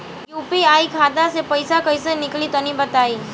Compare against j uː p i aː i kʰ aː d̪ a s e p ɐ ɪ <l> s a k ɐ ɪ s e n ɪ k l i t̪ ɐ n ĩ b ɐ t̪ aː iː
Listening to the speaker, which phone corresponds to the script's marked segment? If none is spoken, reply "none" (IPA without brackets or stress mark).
none